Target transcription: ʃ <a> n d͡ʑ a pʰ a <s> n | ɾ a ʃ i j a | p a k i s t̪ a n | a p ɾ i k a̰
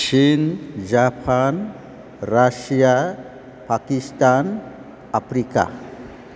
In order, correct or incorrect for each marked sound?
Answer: incorrect: i, incorrect: none

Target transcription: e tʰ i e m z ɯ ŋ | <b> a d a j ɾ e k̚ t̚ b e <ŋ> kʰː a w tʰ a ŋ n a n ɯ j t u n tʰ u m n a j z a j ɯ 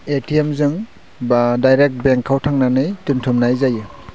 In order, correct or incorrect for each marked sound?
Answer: correct, correct

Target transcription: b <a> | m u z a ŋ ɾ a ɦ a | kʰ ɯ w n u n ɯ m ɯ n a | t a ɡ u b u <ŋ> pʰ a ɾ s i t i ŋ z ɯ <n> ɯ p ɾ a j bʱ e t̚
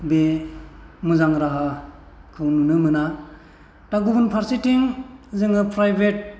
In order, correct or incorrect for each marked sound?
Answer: incorrect: e, incorrect: n, incorrect: ŋ

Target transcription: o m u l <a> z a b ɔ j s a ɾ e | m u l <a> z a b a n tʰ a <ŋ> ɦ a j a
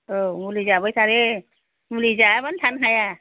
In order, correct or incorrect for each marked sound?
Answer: incorrect: i, incorrect: i, incorrect: n

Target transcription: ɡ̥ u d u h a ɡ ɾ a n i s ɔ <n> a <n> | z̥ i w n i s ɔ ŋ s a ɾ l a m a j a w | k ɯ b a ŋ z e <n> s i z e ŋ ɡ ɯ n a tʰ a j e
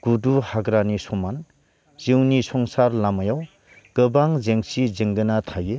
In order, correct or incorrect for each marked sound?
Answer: incorrect: m, correct, incorrect: ŋ

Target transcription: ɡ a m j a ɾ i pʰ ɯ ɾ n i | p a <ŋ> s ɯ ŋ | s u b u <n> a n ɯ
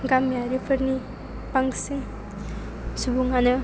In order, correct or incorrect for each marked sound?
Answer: correct, incorrect: ŋ

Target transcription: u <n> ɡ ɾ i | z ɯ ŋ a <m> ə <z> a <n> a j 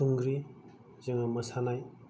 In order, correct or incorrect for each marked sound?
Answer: incorrect: ŋ, correct, incorrect: s, correct

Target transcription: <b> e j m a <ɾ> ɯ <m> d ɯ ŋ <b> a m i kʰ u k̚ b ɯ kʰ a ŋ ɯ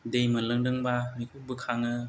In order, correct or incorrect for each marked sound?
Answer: incorrect: d, incorrect: l, incorrect: ŋ, correct

